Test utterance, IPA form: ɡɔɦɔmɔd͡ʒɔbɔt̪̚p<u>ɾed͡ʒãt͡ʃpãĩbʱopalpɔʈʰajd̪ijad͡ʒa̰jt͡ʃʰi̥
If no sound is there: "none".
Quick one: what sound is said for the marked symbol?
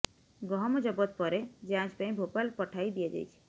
ɔ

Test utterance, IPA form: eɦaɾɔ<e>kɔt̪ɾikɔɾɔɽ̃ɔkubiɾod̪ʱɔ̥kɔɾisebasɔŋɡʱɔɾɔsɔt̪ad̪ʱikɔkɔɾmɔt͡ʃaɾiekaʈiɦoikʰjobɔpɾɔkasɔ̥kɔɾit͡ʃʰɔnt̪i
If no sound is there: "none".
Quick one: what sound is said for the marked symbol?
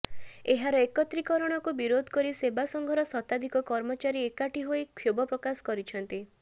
e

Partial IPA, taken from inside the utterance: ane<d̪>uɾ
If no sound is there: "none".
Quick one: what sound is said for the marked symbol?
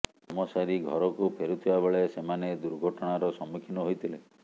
d̪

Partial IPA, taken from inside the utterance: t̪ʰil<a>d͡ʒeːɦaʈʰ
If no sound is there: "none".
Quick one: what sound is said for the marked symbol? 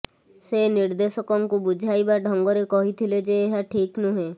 e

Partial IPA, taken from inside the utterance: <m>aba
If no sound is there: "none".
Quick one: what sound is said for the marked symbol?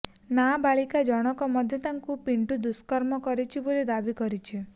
n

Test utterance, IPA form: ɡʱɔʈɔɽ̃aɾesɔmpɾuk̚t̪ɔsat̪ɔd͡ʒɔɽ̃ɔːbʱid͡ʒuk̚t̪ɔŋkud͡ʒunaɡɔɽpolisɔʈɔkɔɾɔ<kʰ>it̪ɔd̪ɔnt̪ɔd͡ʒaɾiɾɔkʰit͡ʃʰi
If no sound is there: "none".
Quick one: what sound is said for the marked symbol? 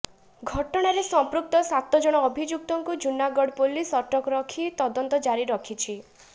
kʰ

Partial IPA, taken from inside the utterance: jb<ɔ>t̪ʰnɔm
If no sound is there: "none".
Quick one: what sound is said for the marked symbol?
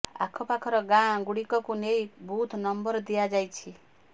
u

